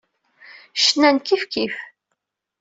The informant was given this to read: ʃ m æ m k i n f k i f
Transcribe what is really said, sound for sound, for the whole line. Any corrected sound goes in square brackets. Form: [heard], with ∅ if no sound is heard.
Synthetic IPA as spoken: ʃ [n] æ [n] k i [∅] f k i f

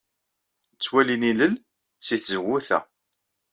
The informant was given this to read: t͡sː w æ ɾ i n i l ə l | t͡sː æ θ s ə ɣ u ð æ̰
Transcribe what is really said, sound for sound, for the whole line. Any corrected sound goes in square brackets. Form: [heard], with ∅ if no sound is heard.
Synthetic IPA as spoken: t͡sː w æ [l] i n i l ə l | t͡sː [i] θ [z] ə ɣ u [θ] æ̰

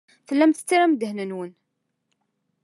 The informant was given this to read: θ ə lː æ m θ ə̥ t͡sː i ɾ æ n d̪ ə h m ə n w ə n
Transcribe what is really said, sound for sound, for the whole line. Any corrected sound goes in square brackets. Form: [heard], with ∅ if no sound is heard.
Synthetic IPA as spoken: θ ə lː æ m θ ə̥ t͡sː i ɾ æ [m] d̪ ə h [n] ə n w ə n

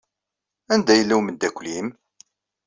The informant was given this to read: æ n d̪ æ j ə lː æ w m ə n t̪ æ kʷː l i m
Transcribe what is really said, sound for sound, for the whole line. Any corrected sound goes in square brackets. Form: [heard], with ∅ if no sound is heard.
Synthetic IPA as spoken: æ n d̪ æ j ə lː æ w m ə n [d̪] æ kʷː l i m

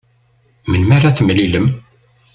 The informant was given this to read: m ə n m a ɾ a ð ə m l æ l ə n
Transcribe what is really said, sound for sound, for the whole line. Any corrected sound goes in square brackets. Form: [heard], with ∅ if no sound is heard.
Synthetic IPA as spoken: m ə n m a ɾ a [θ] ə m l [i] l ə [m]

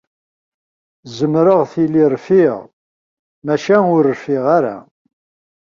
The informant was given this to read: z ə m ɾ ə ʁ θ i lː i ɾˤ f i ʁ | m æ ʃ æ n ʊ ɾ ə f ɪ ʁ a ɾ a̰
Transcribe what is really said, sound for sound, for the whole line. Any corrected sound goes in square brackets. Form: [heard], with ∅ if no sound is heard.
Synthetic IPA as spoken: z ə m ɾ ə ʁ θ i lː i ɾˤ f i ʁ | m æ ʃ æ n ʊ ɾ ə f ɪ ʁ a ɾ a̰

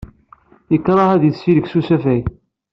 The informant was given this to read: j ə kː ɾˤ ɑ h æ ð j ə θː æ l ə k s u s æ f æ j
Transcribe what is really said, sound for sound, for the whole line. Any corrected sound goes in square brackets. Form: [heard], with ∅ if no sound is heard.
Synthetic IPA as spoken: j ə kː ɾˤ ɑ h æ ð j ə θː [i] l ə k s u s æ f æ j

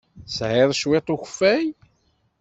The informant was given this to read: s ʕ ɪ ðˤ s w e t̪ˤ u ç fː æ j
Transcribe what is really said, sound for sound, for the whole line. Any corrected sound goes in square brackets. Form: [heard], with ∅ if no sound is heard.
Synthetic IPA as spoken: s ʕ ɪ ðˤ [ʃ] w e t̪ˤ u ç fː æ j

